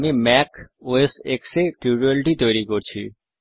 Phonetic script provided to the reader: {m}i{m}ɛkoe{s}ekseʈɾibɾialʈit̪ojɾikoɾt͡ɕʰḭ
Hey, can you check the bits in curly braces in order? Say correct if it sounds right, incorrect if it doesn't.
correct, correct, correct

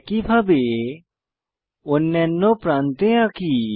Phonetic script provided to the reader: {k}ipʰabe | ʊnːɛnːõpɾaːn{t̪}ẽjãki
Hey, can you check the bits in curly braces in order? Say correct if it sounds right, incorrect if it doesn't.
correct, correct

